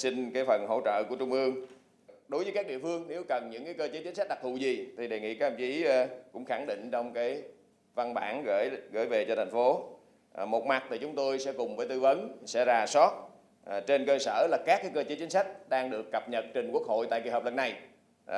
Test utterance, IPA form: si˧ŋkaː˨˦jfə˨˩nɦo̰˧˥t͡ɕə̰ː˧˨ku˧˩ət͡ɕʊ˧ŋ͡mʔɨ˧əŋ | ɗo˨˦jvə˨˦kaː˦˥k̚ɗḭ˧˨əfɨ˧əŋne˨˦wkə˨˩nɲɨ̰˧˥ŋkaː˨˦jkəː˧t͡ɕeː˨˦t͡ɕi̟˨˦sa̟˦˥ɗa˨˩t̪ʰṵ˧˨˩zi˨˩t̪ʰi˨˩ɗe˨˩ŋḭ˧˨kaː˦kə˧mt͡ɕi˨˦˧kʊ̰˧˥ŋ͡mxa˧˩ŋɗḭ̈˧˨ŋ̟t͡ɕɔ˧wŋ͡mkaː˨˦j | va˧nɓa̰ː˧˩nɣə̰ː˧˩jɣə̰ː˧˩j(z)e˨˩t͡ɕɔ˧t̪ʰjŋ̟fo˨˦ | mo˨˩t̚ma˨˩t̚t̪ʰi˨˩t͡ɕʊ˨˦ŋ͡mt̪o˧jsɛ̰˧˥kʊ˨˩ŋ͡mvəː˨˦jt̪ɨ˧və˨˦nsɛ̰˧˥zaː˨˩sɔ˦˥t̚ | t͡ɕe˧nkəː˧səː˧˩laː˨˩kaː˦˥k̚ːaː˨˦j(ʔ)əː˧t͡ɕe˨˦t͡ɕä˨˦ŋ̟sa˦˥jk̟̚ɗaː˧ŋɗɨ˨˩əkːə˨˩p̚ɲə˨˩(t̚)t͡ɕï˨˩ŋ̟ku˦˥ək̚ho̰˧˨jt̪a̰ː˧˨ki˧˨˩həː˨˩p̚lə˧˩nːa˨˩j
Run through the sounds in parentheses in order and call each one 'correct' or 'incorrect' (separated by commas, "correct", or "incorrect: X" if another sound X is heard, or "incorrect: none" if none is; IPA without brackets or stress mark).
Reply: incorrect: v, incorrect: k, correct